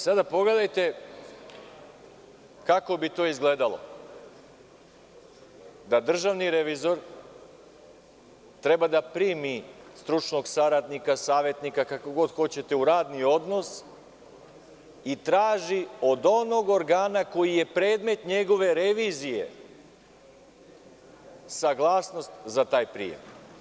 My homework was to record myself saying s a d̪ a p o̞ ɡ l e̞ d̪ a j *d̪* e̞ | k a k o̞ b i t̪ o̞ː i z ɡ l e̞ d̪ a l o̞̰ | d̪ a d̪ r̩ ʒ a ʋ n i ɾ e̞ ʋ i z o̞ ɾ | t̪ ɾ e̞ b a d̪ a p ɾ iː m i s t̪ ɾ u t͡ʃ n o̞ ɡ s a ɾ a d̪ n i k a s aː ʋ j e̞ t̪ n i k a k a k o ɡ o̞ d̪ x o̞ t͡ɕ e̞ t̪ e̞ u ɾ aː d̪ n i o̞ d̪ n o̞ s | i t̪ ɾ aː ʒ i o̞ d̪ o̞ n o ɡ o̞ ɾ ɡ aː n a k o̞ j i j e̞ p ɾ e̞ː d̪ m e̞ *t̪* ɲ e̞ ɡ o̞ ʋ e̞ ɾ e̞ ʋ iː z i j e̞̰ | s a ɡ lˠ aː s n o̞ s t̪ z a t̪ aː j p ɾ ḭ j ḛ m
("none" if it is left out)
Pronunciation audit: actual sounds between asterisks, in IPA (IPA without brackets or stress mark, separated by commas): t̪, t̪